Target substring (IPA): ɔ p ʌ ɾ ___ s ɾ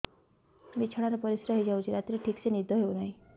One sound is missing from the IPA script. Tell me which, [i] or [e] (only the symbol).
i